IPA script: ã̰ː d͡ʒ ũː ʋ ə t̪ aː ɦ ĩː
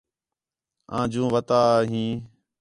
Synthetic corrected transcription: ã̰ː d͡ʒ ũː ʋ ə t̪ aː ɦ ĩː